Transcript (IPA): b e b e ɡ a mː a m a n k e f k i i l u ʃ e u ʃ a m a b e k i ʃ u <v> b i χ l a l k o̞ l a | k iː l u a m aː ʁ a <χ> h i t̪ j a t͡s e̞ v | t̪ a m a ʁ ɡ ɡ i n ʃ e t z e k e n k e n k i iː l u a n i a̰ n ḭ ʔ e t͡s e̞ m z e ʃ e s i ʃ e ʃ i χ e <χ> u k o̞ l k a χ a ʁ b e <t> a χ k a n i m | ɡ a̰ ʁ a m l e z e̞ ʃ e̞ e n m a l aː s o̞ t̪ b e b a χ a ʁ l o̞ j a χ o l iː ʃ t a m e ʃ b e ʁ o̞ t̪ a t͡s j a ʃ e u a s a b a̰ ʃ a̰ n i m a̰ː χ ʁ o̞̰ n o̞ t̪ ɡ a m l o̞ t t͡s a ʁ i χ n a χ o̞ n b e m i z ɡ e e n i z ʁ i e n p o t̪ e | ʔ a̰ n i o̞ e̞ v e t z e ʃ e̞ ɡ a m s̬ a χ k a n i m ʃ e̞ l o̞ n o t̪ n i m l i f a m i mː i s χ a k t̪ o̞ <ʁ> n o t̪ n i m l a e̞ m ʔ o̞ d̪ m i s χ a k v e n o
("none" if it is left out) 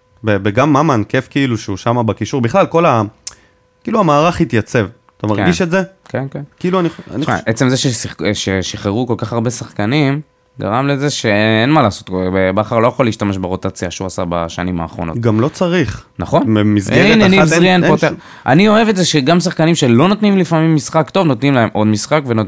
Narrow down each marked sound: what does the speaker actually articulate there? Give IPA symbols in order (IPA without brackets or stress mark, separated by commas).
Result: ʁ, χ, ʁ, s, v